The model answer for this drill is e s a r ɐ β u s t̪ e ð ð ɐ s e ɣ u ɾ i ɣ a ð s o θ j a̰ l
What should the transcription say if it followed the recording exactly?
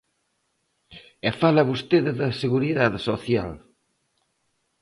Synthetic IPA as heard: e f a l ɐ β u s t̪ e ð ð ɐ s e ɣ u ɾ i ð a ð s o θ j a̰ l